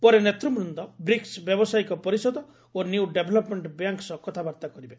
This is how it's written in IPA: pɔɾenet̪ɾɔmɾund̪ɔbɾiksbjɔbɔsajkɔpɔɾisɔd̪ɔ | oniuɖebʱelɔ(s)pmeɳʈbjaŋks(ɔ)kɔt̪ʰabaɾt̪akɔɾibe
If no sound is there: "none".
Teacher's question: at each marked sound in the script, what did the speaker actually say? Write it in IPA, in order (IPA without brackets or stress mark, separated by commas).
none, ɔ